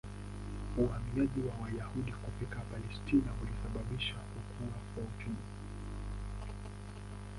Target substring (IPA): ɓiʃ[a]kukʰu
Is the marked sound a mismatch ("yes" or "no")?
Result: no